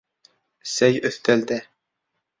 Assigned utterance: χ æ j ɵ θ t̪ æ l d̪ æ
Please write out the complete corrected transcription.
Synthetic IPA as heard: s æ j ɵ θ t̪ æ l d̪ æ